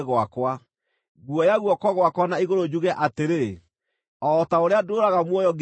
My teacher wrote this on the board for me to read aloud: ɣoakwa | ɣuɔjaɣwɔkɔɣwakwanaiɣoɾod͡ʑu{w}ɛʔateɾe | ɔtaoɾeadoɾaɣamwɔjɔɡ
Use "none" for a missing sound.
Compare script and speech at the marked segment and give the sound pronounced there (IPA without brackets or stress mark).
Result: ɣ